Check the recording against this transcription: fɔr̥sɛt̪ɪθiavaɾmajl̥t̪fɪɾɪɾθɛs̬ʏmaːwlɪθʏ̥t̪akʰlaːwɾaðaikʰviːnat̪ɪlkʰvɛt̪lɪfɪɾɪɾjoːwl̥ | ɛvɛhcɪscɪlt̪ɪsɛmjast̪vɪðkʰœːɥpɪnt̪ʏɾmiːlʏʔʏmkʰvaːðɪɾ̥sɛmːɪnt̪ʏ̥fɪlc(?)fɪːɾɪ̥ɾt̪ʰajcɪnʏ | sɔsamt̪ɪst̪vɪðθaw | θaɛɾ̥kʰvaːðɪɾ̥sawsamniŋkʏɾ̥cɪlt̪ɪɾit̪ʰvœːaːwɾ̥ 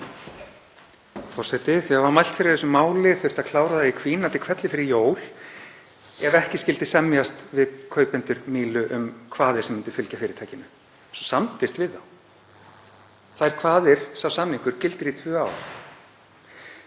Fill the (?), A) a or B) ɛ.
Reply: A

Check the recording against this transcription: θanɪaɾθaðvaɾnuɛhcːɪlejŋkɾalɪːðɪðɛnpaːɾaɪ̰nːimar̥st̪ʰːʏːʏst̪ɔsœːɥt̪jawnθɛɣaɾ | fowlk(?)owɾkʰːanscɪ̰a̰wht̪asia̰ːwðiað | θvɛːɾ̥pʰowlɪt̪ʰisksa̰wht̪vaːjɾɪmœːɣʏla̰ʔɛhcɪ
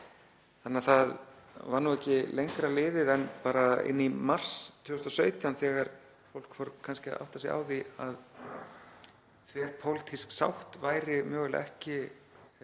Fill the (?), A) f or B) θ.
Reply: A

